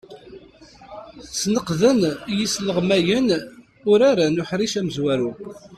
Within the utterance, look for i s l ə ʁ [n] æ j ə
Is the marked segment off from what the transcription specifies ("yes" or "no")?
yes